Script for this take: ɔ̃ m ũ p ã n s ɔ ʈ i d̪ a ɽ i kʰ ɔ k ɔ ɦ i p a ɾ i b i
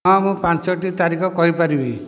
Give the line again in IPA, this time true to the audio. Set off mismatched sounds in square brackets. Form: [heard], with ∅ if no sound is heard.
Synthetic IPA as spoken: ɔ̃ m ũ p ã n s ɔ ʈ i [t̪] a [ɾ] i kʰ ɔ k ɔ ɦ i p a ɾ i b i